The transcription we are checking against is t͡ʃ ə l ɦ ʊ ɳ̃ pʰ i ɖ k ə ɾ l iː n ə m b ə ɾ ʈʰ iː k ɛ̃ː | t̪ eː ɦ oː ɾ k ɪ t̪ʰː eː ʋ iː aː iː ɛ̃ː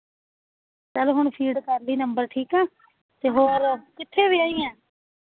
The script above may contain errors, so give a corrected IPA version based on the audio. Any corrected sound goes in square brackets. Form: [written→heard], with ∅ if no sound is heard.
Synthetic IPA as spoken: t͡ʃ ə l ɦ ʊ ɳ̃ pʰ [i→iː] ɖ k ə ɾ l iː n ə m b ə ɾ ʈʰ iː k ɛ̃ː | t̪ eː ɦ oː ɾ k ɪ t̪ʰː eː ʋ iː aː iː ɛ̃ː

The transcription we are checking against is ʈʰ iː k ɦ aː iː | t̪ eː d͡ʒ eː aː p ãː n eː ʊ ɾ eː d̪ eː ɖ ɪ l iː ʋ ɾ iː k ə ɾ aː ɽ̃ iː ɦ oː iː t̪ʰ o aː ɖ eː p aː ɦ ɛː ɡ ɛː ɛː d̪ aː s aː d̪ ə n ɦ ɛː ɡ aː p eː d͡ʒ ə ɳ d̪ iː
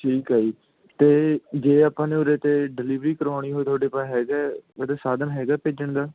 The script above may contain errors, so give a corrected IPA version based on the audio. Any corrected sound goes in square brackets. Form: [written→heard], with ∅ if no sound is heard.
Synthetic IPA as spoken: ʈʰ iː k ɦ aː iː | t̪ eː d͡ʒ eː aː p ãː n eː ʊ ɾ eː [d̪→t̪] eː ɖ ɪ l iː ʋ ɾ iː k ə ɾ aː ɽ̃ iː ɦ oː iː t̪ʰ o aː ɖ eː p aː ɦ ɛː ɡ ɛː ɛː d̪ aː s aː d̪ ə n ɦ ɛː ɡ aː p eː d͡ʒ ə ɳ d̪ [iː→aː]

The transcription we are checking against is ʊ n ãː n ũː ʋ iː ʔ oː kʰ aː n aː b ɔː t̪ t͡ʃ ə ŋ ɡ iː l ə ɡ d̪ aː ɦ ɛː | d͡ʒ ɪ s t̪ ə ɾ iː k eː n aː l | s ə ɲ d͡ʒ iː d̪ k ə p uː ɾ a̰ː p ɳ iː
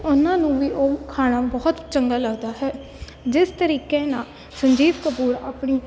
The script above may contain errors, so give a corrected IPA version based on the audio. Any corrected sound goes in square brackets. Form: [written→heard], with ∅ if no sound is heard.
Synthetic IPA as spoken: ʊ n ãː n ũː ʋ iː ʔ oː kʰ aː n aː b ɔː t̪ t͡ʃ ə ŋ ɡ [iː→aː] l ə ɡ d̪ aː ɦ ɛː | d͡ʒ ɪ s t̪ ə ɾ iː k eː n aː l | s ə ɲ d͡ʒ iː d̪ k ə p uː ɾ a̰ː p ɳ iː

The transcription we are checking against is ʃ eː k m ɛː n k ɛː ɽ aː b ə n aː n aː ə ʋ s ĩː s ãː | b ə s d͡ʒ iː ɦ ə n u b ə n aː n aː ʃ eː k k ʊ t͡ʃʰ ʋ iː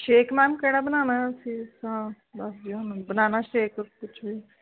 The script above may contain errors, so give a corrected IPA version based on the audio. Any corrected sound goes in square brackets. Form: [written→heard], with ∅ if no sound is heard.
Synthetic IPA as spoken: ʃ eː k m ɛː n k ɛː ɽ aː b ə n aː n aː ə [ʋ→∅] s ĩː s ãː | b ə s d͡ʒ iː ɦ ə n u b ə n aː n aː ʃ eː k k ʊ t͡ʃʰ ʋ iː

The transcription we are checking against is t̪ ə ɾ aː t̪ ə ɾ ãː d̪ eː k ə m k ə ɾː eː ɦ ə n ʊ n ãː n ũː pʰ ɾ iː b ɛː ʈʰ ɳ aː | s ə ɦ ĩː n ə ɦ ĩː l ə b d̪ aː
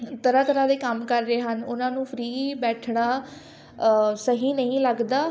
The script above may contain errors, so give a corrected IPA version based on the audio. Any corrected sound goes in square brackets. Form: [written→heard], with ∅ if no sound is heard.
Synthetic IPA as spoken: t̪ ə ɾ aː t̪ ə ɾ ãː d̪ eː k ə m k ə ɾː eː ɦ ə n ʊ n ãː n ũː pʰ ɾ iː b ɛː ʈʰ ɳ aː | s ə ɦ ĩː n ə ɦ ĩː l ə [b→ɡ] d̪ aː

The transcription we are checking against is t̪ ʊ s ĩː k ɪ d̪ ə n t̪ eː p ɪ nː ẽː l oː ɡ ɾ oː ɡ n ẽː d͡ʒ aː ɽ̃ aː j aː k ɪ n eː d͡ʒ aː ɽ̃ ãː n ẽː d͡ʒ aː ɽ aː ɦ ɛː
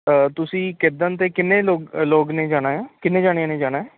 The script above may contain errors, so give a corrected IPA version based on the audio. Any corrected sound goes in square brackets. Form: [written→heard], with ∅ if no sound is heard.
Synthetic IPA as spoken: t̪ ʊ s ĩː k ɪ d̪ ə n t̪ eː [p→k] ɪ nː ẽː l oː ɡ [ɾ→l] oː ɡ n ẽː d͡ʒ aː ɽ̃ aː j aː k ɪ n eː d͡ʒ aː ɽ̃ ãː n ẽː d͡ʒ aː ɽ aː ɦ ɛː

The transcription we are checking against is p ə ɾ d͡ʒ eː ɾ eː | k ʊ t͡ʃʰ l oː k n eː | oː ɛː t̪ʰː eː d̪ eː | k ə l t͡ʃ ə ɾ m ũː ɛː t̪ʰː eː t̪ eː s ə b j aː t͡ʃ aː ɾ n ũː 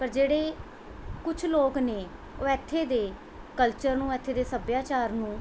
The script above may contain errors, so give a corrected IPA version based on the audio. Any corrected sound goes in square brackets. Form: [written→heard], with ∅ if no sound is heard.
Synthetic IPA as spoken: p ə ɾ d͡ʒ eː [ɾ→ɽ] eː | k ʊ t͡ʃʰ l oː k n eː | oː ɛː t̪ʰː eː d̪ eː | k ə l t͡ʃ ə ɾ [m→n] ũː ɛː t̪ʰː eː [t̪→d̪] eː s ə b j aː t͡ʃ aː ɾ n ũː

